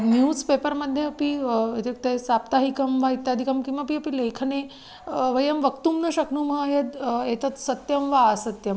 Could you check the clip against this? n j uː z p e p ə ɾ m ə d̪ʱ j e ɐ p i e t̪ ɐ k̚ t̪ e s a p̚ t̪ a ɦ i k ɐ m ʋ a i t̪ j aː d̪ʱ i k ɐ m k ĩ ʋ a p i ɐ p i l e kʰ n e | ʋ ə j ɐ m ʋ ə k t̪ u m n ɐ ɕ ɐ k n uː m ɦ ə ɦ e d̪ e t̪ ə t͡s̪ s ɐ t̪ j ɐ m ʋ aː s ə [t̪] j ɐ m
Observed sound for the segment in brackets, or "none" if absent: t̪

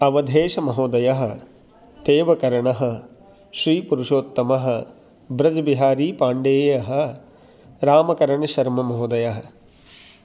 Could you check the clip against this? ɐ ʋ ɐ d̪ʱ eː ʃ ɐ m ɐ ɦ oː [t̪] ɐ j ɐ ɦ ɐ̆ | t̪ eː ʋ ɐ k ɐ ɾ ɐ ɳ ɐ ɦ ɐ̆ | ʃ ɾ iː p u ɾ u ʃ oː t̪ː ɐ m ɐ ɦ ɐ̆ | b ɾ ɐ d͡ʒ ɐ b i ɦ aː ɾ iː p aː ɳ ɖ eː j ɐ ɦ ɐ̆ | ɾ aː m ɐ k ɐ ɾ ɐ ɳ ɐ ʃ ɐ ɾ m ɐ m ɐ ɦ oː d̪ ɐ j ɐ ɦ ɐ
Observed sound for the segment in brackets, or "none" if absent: d̪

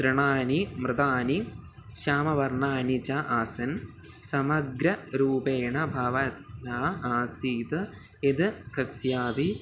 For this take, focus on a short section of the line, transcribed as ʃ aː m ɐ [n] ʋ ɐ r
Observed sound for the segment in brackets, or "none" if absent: none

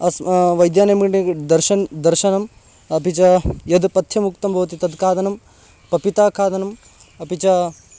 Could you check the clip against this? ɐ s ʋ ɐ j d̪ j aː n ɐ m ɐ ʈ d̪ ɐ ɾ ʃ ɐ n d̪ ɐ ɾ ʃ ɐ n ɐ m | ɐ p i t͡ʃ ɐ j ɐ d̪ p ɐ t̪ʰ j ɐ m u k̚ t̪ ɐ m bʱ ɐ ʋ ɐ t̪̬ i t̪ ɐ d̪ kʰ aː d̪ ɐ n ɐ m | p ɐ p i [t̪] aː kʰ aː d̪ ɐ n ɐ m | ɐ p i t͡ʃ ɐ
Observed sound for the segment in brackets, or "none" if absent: t̪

